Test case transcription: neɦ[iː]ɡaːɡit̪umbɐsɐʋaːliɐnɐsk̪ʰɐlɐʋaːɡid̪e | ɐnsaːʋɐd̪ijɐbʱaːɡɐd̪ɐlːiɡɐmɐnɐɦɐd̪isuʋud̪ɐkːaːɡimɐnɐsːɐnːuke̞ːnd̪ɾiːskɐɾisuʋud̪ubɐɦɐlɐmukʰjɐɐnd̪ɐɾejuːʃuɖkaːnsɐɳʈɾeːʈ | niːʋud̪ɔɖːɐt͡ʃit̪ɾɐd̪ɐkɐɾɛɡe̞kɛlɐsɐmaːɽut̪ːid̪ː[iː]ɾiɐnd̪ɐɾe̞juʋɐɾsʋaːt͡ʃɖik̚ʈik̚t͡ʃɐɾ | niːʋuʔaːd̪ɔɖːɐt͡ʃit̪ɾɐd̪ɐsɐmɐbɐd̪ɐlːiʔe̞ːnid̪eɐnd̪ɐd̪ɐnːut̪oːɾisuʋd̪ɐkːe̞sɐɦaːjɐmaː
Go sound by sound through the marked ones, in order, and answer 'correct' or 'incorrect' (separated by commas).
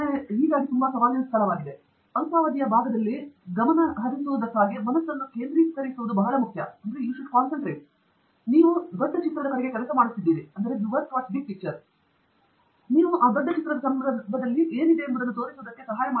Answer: correct, correct